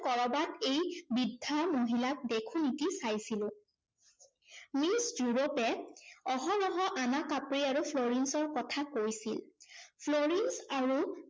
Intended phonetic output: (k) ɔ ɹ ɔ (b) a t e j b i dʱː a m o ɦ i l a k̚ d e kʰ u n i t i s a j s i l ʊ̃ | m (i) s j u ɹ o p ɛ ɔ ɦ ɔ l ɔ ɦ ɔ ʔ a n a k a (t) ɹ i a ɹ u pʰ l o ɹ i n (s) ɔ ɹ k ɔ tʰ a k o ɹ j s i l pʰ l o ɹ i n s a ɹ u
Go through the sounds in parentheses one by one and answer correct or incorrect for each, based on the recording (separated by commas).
correct, correct, correct, incorrect, correct